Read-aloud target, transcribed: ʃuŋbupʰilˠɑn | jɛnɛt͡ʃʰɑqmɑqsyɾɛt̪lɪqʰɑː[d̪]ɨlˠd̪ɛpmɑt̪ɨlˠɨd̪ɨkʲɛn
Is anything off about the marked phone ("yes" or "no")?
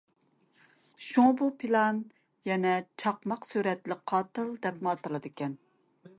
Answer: yes